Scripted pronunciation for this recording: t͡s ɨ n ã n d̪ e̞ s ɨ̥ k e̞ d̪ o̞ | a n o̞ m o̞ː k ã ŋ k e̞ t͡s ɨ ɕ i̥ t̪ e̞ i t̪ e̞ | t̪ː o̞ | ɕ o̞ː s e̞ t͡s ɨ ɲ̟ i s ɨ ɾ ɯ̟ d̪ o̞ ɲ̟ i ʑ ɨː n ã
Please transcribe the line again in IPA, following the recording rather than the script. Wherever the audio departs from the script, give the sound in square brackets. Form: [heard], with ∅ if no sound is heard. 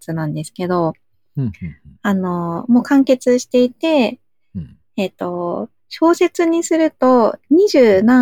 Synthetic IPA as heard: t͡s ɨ n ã n d̪ e̞ s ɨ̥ k e̞ d̪ o̞ | a n o̞ m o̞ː k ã ŋ k e̞ t͡s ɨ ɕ i̥ t̪ e̞ i t̪ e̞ | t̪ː o̞ | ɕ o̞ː s e̞ t͡s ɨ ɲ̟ i s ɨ ɾ ɯ̟ [t̪] o̞ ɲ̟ i ʑ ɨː n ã